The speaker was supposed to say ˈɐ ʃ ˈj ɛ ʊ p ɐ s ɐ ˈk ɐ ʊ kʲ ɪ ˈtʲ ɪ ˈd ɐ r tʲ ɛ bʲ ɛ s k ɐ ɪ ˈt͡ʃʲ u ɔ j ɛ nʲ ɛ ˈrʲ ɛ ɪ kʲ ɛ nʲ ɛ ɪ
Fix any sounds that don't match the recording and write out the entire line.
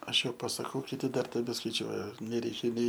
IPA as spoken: ˈɐ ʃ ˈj ɛ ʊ p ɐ s ɐ ˈk ɐ ʊ kʲ ɪ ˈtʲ ɪ ˈd ɐ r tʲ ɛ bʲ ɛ s k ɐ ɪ ˈt͡ʃʲ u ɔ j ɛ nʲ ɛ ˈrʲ ɛ ɪ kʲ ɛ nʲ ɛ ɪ